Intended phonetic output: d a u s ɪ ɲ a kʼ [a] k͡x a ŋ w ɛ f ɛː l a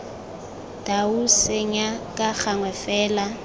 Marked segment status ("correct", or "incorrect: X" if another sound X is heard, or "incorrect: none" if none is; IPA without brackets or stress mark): correct